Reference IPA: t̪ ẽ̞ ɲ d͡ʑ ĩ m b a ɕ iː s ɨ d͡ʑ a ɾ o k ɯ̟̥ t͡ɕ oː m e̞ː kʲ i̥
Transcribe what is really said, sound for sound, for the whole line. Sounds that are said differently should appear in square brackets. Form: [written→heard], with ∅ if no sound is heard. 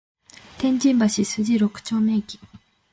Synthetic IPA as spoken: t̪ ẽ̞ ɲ d͡ʑ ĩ m b a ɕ [iː→i] s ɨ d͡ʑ [a→i] ɾ o k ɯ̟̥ t͡ɕ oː m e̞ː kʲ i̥